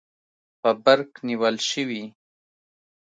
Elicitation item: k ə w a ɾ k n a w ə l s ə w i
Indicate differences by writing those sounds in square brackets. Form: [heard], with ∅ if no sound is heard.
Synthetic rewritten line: [p] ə [b] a ɾ k n [i] w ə l [ʃ] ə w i